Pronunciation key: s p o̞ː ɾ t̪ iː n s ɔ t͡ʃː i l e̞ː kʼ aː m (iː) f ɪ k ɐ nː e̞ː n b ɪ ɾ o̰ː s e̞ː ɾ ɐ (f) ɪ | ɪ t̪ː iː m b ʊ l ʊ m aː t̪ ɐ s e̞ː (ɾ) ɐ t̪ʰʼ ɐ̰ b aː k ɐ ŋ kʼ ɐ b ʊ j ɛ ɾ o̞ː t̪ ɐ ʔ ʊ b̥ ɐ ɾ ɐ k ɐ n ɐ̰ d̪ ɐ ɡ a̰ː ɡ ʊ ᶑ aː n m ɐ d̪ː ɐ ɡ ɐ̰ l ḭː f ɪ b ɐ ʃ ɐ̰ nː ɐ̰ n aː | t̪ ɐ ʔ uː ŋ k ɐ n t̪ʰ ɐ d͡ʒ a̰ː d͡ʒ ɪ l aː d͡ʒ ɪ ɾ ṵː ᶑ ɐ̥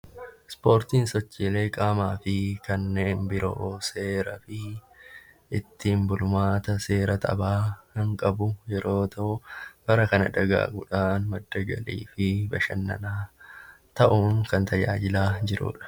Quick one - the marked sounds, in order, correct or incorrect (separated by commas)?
incorrect, correct, correct